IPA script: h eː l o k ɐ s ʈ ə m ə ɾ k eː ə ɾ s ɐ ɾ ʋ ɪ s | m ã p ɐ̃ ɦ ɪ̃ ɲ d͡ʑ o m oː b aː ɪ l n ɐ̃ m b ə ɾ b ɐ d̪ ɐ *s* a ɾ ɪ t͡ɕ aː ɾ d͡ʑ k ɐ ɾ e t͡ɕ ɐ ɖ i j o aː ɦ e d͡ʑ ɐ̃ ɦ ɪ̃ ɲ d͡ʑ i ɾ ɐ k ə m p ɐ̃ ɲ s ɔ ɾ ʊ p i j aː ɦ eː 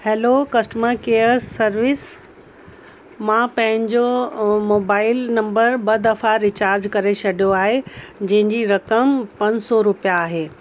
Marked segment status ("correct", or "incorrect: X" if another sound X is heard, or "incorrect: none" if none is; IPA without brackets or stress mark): incorrect: f